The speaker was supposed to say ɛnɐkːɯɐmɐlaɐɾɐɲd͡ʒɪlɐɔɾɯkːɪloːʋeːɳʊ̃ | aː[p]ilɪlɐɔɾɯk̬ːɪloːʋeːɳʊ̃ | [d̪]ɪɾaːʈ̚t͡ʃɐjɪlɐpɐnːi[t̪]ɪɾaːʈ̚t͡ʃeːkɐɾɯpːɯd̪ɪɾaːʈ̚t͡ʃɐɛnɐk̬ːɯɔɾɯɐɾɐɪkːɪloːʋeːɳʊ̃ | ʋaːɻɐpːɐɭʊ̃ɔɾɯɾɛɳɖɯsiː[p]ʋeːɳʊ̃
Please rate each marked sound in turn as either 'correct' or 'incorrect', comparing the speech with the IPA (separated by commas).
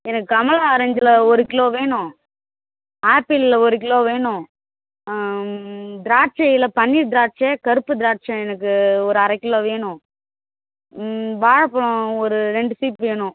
correct, correct, incorrect, correct